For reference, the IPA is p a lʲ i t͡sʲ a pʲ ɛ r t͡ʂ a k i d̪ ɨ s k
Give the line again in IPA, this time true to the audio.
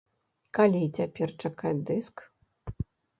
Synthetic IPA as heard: k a lʲ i t͡sʲ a pʲ ɛ r t͡ʂ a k a d̪ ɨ s k